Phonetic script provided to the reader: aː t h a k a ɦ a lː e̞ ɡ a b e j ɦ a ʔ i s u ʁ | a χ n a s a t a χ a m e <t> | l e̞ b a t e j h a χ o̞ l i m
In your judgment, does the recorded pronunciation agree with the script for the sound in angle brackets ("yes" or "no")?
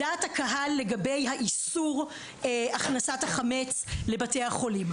no